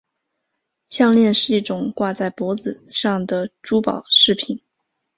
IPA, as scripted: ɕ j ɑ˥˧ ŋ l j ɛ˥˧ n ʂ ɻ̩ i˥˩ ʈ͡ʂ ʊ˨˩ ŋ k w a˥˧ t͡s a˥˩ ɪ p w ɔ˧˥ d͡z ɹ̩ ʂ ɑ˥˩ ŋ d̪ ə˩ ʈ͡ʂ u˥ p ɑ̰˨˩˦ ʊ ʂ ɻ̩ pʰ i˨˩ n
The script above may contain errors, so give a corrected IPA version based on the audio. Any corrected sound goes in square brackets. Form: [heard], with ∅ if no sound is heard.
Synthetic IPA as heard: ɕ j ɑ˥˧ ŋ l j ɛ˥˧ n ʂ ɻ̩ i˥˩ ʈ͡ʂ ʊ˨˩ ŋ k w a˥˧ t͡s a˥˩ ɪ p w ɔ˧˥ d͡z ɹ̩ ʂ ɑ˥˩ ŋ d̪ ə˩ ʈ͡ʂ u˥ p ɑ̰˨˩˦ ʊ ʂ ɻ̩ pʰ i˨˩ n